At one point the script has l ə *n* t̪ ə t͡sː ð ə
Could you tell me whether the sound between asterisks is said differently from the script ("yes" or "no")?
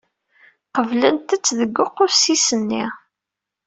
no